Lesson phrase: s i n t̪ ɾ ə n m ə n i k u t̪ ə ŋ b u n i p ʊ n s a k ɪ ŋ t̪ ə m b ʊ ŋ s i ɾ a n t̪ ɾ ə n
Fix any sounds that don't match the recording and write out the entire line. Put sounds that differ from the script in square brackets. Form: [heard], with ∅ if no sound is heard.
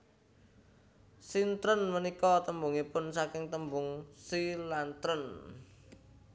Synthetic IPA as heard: s i n t̪ ɾ ə n m ə n i k [ɔ] t̪ ə [m] b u [ŋ] i p ʊ n s a k ɪ ŋ t̪ ə m b ʊ ŋ s i [l] a n t̪ ɾ ə n